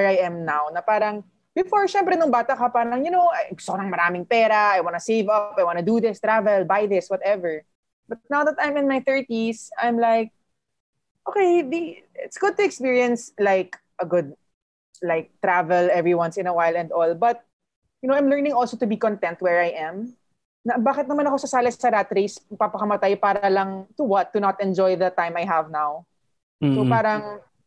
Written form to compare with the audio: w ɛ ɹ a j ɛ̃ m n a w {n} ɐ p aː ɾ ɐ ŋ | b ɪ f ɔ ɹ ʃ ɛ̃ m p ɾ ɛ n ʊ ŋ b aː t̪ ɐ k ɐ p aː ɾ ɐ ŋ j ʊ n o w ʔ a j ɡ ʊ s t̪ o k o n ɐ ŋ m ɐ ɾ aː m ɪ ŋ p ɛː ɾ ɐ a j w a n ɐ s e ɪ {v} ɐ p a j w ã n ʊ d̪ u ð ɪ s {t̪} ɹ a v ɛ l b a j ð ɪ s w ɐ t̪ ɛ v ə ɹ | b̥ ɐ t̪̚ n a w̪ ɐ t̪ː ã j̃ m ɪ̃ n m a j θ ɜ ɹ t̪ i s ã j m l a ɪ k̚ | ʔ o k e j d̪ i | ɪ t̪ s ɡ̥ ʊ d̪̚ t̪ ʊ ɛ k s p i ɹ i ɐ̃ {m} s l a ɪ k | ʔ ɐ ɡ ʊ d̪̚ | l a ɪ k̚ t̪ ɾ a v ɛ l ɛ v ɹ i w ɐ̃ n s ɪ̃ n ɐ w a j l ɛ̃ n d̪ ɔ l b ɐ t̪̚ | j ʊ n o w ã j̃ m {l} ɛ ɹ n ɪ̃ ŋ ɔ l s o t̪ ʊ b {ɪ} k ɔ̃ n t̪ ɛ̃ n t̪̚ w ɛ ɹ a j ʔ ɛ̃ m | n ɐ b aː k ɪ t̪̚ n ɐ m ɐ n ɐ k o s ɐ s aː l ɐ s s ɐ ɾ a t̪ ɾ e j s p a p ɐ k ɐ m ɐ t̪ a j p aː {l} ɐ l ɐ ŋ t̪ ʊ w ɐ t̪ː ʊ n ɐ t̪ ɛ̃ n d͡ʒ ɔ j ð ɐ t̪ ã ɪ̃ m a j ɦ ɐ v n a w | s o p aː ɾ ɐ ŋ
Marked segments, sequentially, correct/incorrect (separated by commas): correct, correct, correct, incorrect, correct, incorrect, incorrect